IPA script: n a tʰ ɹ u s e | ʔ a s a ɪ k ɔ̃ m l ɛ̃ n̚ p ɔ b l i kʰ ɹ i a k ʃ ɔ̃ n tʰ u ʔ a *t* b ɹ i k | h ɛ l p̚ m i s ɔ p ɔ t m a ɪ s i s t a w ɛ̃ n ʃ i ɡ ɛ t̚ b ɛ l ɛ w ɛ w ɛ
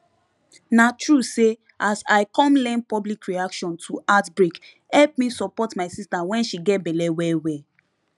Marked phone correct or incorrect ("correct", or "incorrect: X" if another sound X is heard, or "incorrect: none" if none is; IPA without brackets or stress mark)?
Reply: correct